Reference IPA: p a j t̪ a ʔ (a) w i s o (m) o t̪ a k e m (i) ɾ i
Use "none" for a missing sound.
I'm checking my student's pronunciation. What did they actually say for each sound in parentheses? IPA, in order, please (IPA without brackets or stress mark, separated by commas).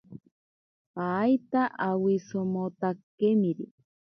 a, m, i